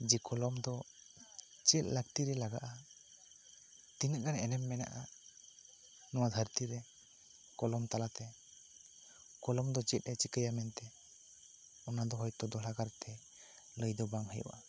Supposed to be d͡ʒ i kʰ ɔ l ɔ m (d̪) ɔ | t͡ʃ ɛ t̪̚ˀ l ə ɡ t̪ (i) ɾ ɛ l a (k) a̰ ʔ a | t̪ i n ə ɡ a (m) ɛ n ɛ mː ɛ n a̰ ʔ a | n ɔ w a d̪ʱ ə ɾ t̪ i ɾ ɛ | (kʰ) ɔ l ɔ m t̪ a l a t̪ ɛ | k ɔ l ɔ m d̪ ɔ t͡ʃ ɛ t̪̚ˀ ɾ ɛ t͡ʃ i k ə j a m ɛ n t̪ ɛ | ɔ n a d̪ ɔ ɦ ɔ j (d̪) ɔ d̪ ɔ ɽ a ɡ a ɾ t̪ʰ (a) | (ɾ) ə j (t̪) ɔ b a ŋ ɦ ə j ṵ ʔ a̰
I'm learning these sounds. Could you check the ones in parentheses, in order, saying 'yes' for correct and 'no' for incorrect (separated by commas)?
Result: yes, yes, no, no, no, no, no, no, no